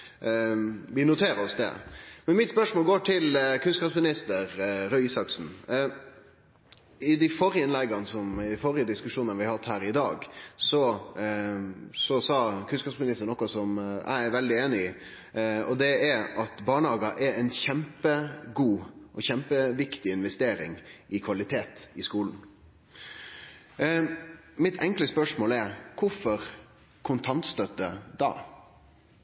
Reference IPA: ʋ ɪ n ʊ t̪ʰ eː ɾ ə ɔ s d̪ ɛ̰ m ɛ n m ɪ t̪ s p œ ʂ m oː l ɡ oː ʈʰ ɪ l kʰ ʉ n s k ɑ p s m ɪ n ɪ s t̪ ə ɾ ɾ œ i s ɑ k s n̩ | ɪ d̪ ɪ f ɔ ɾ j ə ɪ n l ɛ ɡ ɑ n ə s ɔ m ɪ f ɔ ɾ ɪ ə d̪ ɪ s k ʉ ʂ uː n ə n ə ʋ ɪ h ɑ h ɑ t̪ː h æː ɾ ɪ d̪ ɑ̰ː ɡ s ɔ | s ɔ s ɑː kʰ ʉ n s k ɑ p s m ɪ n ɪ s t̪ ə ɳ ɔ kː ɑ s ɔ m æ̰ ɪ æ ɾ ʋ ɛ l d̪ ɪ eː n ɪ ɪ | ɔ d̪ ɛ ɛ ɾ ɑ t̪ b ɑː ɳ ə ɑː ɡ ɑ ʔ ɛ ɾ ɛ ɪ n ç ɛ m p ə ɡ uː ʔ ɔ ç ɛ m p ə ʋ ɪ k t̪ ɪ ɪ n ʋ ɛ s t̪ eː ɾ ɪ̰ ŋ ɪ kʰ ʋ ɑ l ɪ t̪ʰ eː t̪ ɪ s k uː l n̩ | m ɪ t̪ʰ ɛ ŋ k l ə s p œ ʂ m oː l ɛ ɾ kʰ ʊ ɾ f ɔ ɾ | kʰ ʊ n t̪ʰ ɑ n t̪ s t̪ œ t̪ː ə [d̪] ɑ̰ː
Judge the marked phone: correct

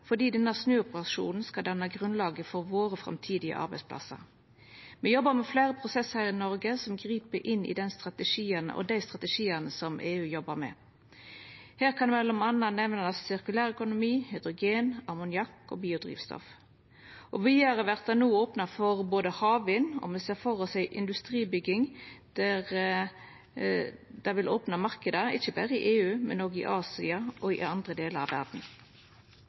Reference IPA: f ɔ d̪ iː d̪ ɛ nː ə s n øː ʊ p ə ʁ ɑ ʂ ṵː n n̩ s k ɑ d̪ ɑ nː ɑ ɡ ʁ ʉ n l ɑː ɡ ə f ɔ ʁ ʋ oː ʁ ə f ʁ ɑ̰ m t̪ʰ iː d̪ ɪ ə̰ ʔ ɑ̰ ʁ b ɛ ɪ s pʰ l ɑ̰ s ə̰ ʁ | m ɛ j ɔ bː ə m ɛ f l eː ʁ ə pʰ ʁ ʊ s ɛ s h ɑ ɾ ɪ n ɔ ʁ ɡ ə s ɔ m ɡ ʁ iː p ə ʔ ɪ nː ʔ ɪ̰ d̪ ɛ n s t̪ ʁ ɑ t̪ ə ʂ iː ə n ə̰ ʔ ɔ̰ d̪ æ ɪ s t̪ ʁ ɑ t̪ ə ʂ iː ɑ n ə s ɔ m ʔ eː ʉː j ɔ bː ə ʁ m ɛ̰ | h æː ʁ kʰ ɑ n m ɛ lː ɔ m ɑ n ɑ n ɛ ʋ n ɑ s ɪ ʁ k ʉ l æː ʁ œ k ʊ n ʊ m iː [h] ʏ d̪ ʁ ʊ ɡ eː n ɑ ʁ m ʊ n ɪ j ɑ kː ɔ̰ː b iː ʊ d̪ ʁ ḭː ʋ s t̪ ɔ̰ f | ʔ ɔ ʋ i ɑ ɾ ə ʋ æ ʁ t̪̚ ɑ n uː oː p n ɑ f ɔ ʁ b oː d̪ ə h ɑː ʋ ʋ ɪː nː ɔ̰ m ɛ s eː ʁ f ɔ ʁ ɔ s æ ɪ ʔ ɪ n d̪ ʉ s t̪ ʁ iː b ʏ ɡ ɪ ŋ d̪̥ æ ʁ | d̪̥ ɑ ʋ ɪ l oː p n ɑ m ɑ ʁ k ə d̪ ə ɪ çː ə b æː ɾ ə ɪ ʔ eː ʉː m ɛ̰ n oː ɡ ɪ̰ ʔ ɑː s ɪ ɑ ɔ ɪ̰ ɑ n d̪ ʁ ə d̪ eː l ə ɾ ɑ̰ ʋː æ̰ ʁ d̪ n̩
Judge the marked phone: correct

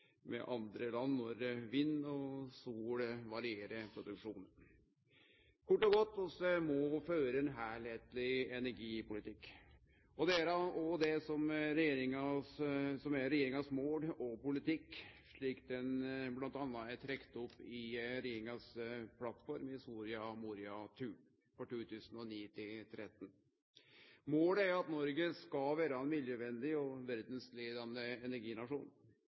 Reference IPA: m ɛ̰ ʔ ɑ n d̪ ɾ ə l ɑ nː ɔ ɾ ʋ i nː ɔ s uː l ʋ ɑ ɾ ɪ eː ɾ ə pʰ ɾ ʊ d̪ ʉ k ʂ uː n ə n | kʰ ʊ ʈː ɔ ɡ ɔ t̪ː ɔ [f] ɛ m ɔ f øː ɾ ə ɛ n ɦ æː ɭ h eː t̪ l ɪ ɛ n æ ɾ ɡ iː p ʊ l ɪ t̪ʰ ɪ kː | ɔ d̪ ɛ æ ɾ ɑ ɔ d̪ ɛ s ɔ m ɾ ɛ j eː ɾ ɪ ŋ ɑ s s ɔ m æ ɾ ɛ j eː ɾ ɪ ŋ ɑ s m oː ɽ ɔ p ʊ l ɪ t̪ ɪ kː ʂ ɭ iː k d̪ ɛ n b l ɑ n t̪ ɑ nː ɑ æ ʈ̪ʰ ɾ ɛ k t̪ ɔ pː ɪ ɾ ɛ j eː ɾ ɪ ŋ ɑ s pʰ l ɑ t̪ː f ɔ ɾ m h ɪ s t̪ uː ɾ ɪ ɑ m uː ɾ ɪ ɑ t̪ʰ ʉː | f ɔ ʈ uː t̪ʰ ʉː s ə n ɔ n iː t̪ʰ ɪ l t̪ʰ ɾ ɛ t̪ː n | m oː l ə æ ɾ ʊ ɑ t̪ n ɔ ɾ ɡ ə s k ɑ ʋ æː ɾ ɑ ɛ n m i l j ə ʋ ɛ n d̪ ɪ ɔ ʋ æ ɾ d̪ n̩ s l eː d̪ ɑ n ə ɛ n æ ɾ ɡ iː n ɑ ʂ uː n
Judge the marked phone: incorrect: s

